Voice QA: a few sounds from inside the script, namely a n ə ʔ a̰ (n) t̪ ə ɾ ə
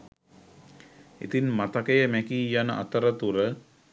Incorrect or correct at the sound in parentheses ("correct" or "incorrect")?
incorrect